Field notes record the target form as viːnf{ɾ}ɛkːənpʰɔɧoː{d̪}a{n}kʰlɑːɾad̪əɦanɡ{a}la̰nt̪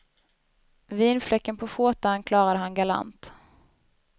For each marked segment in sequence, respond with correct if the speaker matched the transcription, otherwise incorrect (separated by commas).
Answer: incorrect, incorrect, correct, correct